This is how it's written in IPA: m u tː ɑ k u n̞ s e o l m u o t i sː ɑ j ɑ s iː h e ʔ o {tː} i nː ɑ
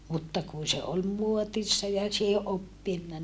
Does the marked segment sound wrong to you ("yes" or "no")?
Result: yes